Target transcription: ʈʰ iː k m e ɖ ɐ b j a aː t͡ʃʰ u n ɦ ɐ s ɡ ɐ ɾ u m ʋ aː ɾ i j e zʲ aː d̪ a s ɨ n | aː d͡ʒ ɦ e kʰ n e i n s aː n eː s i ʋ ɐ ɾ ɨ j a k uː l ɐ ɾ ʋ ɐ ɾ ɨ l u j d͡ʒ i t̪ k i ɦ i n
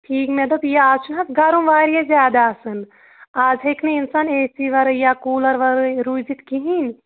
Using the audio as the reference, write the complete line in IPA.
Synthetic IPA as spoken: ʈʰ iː k m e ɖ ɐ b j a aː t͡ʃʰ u n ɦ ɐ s ɡ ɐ ɾ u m ʋ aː ɾ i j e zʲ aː d̪ a s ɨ n | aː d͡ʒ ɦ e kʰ n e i n s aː n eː s i ʋ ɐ ɾ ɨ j a k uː l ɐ ɾ ʋ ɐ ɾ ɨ ɾ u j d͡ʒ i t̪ k i ɦ i n